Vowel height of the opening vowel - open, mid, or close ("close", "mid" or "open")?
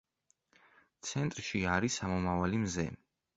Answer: mid